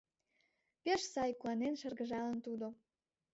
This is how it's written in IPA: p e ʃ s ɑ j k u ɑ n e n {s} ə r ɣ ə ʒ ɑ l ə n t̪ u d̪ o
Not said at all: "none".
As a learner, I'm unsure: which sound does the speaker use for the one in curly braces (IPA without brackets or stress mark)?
ʃ